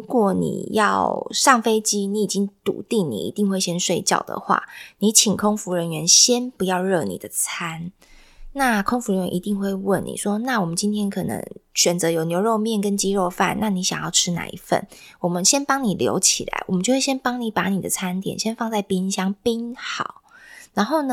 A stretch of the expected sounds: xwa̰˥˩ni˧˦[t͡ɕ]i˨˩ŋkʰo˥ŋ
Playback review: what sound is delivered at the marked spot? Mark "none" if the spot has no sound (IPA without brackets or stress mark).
t͡ɕʰ